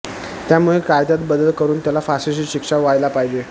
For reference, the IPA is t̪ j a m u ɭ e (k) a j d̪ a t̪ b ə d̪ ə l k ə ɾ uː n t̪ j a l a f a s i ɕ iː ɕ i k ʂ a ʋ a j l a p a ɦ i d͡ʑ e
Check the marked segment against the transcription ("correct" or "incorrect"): correct